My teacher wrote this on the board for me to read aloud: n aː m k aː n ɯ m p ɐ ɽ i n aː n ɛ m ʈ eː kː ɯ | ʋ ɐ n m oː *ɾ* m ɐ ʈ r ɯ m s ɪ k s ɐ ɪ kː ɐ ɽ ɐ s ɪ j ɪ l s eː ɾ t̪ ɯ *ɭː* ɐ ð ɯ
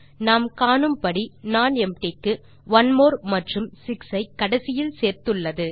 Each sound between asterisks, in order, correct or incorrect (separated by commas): correct, correct